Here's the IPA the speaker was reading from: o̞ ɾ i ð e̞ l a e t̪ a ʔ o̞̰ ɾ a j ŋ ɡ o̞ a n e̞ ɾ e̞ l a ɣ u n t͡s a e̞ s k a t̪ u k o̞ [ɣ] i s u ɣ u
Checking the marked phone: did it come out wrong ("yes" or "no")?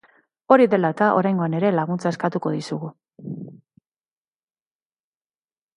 yes